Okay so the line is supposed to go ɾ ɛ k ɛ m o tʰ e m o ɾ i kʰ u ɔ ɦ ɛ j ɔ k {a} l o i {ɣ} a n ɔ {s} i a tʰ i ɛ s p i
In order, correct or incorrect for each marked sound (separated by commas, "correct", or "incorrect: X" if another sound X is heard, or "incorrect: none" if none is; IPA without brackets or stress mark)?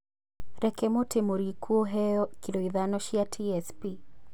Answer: incorrect: i, incorrect: ð, incorrect: ʃ